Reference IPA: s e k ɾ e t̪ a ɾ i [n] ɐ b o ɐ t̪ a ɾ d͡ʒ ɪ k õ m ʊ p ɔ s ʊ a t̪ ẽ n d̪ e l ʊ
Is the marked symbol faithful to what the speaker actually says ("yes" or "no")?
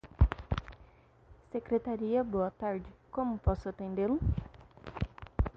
no